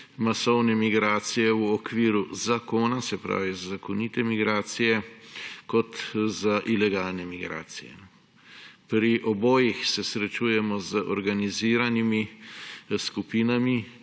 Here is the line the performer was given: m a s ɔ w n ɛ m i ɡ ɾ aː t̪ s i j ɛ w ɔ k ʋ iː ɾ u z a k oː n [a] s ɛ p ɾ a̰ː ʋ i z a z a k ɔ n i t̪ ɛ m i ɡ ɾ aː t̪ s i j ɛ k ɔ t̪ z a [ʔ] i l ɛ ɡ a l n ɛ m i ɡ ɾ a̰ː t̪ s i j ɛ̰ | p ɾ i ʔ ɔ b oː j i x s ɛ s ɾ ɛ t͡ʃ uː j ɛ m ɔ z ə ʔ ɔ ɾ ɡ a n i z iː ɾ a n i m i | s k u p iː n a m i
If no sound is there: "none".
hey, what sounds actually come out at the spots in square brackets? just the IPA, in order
a, ʔ

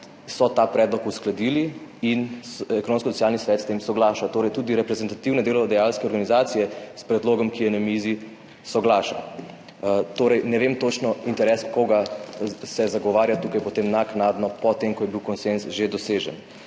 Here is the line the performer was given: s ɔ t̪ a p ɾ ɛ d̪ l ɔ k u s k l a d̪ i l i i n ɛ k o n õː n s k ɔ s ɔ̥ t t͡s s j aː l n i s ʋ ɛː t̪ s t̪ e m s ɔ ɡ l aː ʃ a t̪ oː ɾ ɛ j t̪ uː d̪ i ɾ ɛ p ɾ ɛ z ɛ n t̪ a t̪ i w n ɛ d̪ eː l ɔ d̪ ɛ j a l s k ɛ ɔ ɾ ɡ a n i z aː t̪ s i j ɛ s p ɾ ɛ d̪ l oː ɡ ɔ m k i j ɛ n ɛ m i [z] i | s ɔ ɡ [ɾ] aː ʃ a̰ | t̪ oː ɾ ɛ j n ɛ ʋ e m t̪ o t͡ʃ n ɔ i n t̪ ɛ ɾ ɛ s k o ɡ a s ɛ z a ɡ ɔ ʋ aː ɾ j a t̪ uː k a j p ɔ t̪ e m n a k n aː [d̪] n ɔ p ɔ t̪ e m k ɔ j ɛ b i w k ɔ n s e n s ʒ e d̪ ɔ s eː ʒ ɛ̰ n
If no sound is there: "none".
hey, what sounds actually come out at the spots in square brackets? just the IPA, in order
z, l, d̪

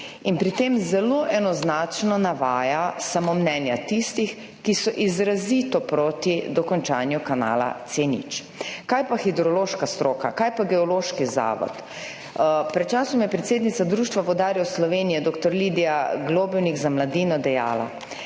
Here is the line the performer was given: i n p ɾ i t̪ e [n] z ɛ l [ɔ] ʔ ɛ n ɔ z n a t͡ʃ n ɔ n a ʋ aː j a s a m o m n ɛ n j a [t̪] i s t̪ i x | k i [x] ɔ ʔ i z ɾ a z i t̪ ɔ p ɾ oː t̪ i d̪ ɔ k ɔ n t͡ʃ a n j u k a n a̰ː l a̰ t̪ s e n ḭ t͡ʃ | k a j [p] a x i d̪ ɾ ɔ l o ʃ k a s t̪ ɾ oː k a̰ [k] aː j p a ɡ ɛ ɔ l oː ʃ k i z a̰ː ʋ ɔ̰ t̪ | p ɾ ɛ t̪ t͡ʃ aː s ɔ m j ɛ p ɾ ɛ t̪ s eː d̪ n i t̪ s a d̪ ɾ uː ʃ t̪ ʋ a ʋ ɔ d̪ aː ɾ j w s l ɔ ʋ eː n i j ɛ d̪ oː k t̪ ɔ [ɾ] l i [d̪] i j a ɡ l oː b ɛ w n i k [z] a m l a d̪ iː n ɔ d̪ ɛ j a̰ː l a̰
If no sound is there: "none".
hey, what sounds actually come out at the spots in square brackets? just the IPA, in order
m, o, t̪, s, p, k, ɾ, d̪, z

